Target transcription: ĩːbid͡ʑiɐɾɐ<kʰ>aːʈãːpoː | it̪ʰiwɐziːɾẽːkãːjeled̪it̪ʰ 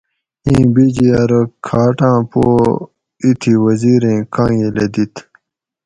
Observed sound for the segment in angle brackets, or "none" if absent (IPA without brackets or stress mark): kʰ